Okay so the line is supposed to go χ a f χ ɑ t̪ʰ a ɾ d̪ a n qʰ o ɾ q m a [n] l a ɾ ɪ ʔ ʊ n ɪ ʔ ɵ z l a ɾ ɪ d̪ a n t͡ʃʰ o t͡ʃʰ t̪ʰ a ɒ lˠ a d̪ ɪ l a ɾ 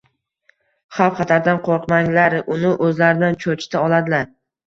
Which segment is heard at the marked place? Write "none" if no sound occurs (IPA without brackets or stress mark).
ŋ